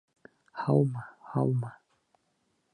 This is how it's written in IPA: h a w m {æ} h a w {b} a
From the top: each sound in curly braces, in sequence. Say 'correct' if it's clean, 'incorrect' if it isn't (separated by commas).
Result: incorrect, incorrect